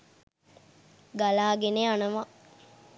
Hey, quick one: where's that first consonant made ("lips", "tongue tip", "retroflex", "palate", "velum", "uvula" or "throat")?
velum